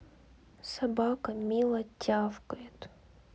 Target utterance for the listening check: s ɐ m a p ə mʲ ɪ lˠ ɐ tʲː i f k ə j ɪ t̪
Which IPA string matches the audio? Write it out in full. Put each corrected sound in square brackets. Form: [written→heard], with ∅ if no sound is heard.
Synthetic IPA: s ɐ [m→b] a [p→k] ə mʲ [ɪ→i] lˠ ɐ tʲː [i→a] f k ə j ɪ t̪

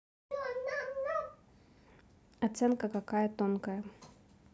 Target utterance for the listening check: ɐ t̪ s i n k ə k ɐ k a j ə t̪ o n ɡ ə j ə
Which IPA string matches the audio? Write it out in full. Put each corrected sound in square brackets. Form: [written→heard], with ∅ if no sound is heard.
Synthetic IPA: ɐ t̪ s [i→ɛ] n k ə k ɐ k a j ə t̪ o n [ɡ→k] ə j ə

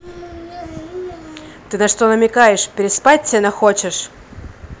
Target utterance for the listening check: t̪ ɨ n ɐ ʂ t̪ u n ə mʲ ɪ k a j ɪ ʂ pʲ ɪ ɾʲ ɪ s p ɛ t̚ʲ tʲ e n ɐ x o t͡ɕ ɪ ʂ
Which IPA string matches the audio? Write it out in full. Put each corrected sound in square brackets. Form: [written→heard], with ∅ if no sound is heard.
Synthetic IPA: t̪ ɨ n ɐ ʂ t̪ [u→o] n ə mʲ ɪ k a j ɪ ʂ pʲ ɪ ɾʲ ɪ s p [ɛ→a] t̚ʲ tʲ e n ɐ x o t͡ɕ ɪ ʂ

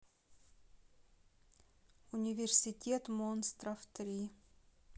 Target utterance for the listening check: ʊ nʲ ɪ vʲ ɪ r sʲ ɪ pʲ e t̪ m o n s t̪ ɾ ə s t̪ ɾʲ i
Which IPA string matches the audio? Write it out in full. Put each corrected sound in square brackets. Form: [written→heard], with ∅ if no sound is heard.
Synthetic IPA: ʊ nʲ ɪ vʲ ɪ r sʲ ɪ [pʲ→tʲ] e t̪ m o n s t̪ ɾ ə [s→f] t̪ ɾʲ i

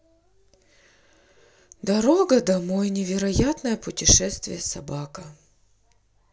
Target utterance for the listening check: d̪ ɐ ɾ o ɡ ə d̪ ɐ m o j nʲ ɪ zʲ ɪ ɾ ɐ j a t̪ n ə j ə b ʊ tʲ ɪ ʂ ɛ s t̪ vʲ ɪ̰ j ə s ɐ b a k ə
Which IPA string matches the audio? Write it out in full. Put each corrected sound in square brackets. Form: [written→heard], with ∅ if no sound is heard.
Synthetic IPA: d̪ ɐ ɾ o ɡ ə d̪ ɐ m o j nʲ ɪ [zʲ→vʲ] ɪ ɾ ɐ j a t̪ n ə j ə [b→p] ʊ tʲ ɪ ʂ ɛ s t̪ vʲ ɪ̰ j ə s ɐ b a k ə

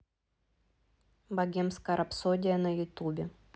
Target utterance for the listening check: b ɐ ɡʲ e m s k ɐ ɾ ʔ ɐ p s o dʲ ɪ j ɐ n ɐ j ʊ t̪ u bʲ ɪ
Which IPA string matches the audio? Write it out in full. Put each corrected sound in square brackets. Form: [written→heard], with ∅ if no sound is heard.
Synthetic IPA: b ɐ ɡʲ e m s k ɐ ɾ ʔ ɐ p s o dʲ ɪ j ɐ n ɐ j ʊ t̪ u bʲ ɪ

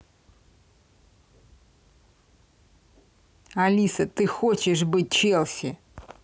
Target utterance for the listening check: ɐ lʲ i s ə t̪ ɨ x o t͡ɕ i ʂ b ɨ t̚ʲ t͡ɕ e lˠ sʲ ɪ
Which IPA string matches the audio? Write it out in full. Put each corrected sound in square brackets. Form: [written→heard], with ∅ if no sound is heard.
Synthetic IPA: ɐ lʲ i s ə t̪ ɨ x o t͡ɕ [i→ɪ] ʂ b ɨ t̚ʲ t͡ɕ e lˠ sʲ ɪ

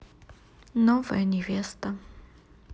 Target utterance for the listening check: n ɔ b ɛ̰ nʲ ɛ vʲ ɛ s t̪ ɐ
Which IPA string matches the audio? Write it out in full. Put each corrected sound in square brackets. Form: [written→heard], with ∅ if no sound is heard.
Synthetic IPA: n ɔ [b→v] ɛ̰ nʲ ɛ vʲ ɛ s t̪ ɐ

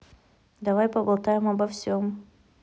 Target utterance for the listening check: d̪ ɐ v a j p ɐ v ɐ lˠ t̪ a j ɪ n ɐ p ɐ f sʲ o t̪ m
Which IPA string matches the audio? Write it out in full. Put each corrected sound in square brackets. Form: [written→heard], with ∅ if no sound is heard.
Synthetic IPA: d̪ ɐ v a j p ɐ [v→b] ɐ lˠ t̪ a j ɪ [n→m] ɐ [p→b] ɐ f sʲ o [t̪→∅] m

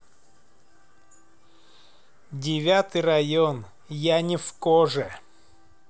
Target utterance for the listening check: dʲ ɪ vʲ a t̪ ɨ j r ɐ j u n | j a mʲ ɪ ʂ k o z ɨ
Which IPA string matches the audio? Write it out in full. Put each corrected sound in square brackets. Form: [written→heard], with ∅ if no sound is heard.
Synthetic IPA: dʲ ɪ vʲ a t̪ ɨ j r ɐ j [u→o] n | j a [mʲ→nʲ] ɪ [ʂ→f] k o [z→ʐ] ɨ

